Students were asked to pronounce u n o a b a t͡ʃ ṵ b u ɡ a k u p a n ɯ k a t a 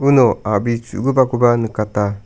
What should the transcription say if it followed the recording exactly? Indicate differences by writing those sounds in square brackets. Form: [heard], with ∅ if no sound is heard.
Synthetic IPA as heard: u n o a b [i] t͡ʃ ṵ [ɡ] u [b] a k u [b] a n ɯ k a t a